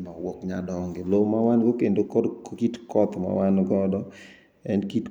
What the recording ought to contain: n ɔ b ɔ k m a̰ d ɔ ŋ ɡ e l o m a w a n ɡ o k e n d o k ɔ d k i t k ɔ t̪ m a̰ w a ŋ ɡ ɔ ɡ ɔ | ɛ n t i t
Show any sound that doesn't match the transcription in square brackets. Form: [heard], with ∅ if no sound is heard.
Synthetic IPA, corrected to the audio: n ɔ [w] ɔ k [ɲ] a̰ d ɔ ŋ ɡ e l o m a w a n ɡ o k e n d o k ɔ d k i t k ɔ t̪ m a̰ w a [n] ɡ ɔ [d] ɔ | ɛ n [k] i t